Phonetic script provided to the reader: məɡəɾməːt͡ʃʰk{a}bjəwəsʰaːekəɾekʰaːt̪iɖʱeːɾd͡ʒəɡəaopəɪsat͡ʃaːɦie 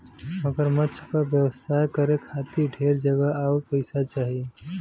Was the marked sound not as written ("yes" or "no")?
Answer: no